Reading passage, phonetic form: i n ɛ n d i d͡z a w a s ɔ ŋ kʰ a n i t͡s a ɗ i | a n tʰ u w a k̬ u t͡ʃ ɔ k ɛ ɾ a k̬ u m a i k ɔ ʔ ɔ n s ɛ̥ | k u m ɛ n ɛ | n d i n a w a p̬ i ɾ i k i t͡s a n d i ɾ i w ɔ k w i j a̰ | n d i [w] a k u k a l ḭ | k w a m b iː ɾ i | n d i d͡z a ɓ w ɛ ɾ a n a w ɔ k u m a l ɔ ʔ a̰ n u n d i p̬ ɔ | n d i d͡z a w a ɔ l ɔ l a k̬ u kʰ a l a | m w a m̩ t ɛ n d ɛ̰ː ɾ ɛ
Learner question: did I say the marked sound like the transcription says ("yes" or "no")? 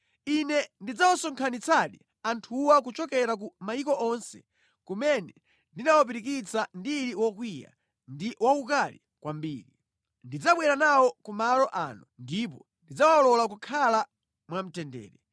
yes